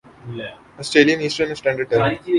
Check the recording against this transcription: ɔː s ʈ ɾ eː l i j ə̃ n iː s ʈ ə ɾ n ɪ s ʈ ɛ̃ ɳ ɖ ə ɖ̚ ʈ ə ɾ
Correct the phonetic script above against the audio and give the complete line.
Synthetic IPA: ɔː s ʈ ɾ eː l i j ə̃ n iː s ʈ ə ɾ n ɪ s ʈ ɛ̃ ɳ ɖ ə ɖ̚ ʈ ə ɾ

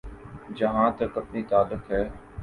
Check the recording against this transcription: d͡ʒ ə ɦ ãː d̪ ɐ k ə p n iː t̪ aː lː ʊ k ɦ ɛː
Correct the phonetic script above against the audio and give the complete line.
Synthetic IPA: d͡ʒ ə ɦ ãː t̪ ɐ k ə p n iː t̪ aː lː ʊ k ɦ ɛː

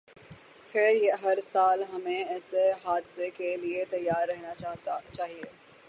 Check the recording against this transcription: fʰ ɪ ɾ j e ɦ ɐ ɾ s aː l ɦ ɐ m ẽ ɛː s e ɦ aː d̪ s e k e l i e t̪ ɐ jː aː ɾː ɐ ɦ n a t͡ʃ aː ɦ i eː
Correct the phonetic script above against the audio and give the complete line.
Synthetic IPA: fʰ ɪ ɾ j e ɦ ɐ ɾ s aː l ɦ ɐ m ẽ ɛː s e ɦ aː d̪ s e k e l i e t̪ ɐ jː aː ɾː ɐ ɦ n a t͡ʃ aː ɦ i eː

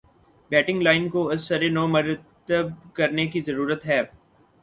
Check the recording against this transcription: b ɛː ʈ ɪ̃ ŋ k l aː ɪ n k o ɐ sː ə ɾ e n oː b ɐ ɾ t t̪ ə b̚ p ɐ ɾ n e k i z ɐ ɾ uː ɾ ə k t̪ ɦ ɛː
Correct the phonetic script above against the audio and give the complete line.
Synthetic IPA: b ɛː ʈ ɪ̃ ŋ ɡ l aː ɪ n k o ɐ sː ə ɾ e n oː m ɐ ɾ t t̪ ə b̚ k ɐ ɾ n e k i z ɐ ɾ uː ɾ ə t̪ ɦ ɛː

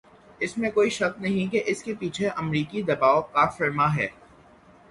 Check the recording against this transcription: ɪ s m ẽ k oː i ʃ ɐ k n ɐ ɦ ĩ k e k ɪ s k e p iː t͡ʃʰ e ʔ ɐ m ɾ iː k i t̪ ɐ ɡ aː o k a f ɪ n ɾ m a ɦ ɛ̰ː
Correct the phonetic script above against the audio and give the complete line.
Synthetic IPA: ɪ s m ẽ k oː i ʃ ɐ k n ɐ ɦ ĩ k e ʔ ɪ s k e p iː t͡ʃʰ e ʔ ɐ m ɾ iː k i d̪ ɐ b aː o k a f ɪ ɾ m a ɦ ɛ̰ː

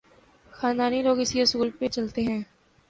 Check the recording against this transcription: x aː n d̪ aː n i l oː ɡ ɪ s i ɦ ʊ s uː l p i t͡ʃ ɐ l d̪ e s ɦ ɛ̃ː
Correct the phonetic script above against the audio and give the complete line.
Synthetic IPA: x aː n d̪ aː n i l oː ɡ ɪ s i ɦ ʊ s uː l p e t͡ʃ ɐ l t̪ e ɦ ɛ̃ː

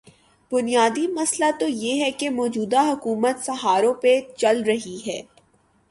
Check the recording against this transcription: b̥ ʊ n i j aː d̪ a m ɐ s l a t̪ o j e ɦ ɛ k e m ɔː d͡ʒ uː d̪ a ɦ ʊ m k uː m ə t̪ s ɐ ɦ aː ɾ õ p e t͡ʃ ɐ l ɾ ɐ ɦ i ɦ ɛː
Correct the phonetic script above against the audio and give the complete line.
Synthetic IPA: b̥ ʊ n i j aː d̪ i m ɐ s l a t̪ o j e ɦ ɛ k e m ɔː d͡ʒ uː d̪ a ɦ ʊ k uː m ə t̪ s ɐ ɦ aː ɾ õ p e t͡ʃ ɐ l ɾ ɐ ɦ i ɦ ɛː

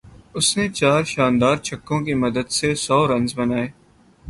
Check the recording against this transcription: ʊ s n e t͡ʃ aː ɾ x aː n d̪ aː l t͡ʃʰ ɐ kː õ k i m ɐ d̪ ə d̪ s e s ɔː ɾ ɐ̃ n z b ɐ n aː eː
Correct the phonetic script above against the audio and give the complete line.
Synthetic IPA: ʊ s n e t͡ʃ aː ɾ ʃ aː n d̪ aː ɾ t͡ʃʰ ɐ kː õ k i m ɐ d̪ ə d̪ s e s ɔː ɾ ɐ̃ n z b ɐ n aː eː

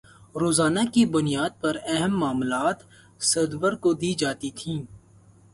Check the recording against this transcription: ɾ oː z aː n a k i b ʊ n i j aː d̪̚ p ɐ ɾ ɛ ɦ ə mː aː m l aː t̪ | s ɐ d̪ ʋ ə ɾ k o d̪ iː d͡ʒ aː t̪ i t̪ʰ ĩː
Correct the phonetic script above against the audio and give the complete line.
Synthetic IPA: ɾ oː z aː n a k i b ʊ n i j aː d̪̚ p ɐ ɾ ɛ ɦ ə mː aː m l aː t̪ | s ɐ d̪ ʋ ə ɾ k o d̪ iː d͡ʒ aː t̪ i t̪ʰ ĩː

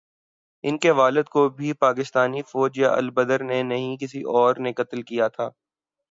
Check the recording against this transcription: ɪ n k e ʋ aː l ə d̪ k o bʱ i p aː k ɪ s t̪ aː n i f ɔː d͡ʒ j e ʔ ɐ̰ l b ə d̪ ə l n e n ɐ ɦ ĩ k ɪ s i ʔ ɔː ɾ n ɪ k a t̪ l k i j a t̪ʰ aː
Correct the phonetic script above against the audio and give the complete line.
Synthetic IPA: ɪ n k e ʋ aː l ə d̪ k o bʱ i p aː k ɪ s t̪ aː n i f ɔː d͡ʒ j a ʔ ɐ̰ l b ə d̪ ə ɾ n e n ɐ ɦ ĩ k ɪ s i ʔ ɔː ɾ n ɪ k ə t̪ l k i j a t̪ʰ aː

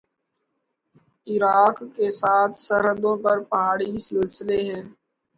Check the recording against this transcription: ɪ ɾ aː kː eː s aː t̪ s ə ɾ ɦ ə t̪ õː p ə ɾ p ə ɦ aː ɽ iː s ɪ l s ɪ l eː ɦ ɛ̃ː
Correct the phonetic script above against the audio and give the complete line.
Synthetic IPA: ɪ ɾ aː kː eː s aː t̪ʰ s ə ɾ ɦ ə d̪ õː p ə ɾ p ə ɦ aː ɽ iː s ɪ l s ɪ l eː ɦ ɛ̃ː

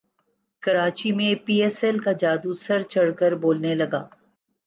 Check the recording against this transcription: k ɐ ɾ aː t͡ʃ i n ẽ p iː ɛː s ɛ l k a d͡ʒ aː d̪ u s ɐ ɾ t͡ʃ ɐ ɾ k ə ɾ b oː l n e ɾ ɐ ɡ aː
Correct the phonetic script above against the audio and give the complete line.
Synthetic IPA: k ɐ ɾ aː t͡ʃ i m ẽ p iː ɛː s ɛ l k a d͡ʒ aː d̪ u s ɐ ɾ t͡ʃ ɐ ɽ k ə ɾ b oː l n e l ɐ ɡ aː

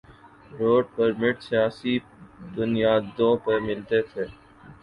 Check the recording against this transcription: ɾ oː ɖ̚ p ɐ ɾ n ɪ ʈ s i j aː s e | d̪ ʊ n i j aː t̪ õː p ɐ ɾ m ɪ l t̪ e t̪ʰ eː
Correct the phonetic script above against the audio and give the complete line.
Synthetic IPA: ɾ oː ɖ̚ p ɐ ɾ m ɪ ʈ s i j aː s i | d̪ ʊ n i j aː d̪ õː p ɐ ɾ m ɪ l t̪ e t̪ʰ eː

